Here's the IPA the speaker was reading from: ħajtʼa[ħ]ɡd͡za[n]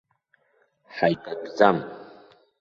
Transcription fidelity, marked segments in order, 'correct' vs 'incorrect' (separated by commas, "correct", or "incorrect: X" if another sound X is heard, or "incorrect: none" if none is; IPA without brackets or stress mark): incorrect: none, incorrect: m